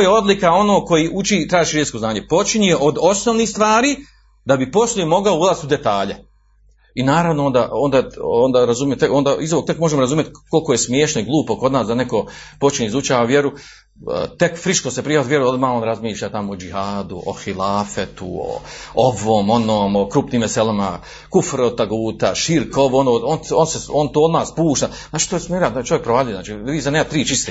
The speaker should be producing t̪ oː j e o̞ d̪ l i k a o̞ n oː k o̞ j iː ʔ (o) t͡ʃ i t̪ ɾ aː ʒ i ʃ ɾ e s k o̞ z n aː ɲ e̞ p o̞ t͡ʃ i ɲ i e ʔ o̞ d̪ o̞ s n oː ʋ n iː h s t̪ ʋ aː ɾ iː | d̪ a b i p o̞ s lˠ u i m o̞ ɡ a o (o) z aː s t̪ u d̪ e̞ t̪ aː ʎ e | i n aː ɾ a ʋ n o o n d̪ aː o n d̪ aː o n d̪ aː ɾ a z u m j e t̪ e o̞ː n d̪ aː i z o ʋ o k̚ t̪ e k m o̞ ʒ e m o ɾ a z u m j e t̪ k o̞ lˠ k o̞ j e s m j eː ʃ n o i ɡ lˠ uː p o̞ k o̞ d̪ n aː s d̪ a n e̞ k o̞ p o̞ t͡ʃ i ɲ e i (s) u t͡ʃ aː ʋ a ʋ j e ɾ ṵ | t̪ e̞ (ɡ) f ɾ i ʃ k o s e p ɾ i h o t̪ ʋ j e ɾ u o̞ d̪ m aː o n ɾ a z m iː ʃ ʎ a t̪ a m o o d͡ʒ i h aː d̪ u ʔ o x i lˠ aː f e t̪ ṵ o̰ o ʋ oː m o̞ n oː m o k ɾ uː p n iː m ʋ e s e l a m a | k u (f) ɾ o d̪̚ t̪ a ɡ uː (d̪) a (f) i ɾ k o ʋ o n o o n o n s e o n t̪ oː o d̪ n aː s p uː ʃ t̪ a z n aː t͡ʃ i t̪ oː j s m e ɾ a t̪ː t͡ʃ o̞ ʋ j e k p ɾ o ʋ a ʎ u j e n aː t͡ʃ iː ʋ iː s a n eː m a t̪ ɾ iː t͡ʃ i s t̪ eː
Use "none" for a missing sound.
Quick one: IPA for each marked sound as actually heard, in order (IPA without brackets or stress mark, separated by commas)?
u, u, z, k, f, t̪, ʃ